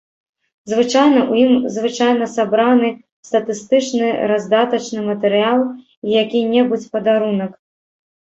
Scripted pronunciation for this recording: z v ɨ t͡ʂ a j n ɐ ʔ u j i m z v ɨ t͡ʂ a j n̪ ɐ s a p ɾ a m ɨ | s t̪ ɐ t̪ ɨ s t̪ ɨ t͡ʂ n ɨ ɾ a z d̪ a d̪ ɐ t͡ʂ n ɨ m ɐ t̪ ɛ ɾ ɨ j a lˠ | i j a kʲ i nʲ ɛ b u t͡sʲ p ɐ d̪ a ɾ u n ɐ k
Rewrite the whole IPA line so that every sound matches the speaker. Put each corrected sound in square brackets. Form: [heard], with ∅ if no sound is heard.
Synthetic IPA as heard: z v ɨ t͡ʂ a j n ɐ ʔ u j i m z v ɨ t͡ʂ a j n̪ ɐ s a [b] ɾ a [n] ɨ | s t̪ ɐ t̪ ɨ s t̪ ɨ t͡ʂ n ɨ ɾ a z d̪ a [t̪] ɐ t͡ʂ n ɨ m ɐ t̪ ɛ ɾ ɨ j a lˠ | i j a kʲ i nʲ ɛ b u t͡sʲ p ɐ d̪ a ɾ u n ɐ k